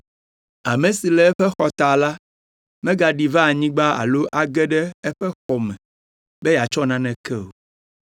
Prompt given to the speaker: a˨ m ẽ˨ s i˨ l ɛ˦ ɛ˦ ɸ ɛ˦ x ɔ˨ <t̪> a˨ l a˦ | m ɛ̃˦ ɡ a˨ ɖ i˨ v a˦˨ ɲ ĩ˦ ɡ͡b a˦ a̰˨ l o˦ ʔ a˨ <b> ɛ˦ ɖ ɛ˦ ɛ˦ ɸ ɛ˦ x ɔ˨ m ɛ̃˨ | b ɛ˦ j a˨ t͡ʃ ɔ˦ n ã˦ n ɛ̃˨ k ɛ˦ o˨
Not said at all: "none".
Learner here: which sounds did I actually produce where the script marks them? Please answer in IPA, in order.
t̪, ɡ

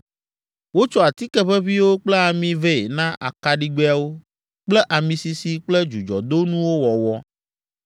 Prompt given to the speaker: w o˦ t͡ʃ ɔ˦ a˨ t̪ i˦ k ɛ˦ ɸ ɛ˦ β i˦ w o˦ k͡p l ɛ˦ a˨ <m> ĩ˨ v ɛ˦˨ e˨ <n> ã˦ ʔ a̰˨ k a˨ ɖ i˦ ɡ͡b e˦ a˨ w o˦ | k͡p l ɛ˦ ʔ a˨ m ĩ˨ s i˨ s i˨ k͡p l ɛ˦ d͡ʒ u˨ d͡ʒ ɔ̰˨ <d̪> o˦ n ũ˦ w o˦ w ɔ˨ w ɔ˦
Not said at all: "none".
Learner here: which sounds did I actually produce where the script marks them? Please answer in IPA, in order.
m, n, d̪

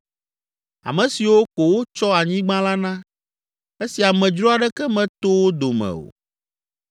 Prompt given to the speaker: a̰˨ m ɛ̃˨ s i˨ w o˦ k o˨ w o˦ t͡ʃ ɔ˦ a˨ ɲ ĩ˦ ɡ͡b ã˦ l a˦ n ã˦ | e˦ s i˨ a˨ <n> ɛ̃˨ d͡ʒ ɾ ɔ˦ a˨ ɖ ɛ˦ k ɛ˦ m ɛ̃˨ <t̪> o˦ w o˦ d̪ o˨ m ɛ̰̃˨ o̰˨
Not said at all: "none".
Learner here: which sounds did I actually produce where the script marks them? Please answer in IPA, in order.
m, t̪

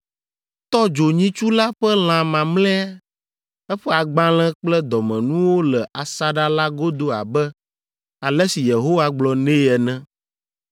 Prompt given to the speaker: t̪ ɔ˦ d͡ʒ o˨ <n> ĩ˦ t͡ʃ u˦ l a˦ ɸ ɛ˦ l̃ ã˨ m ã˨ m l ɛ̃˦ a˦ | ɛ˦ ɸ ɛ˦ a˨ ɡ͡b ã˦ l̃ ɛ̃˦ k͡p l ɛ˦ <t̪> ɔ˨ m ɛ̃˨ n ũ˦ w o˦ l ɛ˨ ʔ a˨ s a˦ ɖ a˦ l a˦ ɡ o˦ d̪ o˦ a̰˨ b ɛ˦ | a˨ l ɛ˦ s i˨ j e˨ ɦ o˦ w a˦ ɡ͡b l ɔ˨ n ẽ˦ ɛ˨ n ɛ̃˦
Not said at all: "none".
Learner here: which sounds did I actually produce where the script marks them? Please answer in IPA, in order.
ɲ, d̪

